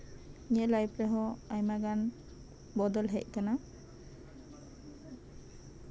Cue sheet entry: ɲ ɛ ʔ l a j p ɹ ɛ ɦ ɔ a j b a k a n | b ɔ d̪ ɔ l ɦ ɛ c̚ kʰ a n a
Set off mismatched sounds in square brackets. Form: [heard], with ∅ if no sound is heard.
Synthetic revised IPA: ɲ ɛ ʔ l a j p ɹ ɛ ɦ ɔ a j [m] a [ɡ] a n | b ɔ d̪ ɔ l ɦ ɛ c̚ [k] a n a

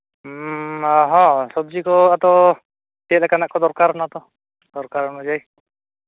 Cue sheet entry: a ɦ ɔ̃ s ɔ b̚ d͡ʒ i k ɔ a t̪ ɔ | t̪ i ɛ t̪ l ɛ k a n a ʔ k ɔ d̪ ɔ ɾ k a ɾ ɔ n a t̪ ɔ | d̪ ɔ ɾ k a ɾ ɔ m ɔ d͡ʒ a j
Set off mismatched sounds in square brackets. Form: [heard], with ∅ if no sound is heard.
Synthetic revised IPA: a ɦ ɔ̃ s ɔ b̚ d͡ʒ i k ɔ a t̪ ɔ | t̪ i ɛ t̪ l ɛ k a n a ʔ k ɔ d̪ ɔ ɾ k a ɾ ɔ n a t̪ ɔ | d̪ ɔ ɾ k a ɾ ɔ [n] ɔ d͡ʒ a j

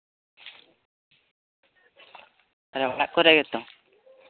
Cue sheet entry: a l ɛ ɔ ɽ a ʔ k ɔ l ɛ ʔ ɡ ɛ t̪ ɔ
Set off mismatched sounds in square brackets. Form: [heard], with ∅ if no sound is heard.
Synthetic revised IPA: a [ɾ] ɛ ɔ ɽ a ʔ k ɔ [ɾ] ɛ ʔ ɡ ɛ t̪ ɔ

